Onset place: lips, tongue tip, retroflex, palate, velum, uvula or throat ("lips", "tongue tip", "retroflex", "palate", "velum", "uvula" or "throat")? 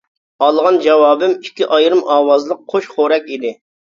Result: tongue tip